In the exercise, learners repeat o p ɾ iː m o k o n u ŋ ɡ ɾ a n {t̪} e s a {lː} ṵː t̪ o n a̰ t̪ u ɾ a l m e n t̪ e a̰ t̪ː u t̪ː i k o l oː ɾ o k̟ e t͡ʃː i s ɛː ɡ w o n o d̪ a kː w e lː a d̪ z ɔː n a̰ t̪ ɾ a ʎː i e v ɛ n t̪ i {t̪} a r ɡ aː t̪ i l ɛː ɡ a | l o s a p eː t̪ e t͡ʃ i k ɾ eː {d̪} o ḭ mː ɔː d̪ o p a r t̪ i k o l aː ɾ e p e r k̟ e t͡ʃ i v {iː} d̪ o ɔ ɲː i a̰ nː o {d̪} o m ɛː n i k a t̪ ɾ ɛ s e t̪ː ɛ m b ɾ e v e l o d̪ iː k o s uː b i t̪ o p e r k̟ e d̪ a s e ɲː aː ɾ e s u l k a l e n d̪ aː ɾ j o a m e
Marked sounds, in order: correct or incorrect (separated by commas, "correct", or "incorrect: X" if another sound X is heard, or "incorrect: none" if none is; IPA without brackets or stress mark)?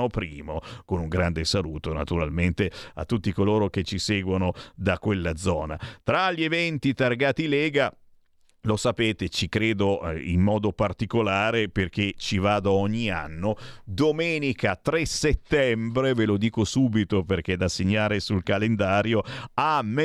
incorrect: d̪, incorrect: l, correct, correct, incorrect: aː, correct